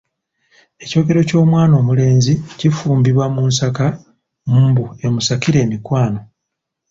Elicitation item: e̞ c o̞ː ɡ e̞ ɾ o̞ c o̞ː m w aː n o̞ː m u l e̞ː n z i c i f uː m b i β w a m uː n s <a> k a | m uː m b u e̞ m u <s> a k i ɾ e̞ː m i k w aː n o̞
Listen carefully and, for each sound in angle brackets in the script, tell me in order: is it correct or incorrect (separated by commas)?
correct, correct